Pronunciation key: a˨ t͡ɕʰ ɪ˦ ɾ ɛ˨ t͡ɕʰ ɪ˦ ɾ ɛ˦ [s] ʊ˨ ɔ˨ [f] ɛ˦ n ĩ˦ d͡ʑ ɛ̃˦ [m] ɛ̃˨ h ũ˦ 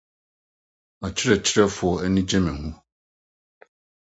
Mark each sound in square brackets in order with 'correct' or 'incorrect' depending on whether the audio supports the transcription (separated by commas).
incorrect, incorrect, correct